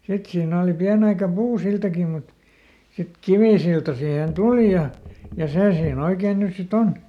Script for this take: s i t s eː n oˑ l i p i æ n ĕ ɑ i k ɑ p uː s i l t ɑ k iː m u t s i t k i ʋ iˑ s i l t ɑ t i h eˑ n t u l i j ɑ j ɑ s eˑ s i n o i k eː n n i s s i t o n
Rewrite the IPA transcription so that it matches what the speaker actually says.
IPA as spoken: s i t s iː n oˑ l i p i æ n ĕ ɑ i k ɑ p uː s i l t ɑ k i m u t s i t k i ʋ iˑ s i l t ɑ s i h eˑ n t u l i j ɑ j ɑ s eˑ s iː n o i k eː n n y s s i t o n